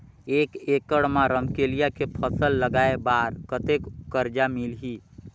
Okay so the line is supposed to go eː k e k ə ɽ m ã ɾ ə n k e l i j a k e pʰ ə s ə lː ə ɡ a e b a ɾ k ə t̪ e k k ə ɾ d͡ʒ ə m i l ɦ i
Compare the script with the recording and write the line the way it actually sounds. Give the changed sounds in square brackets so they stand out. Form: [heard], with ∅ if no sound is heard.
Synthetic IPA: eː k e k ə ɽ m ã ɾ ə [m] k e l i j a k e pʰ ə s ə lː ə ɡ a e b a ɾ k ə t̪ e k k ə ɾ d͡ʒ [a] m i l ɦ i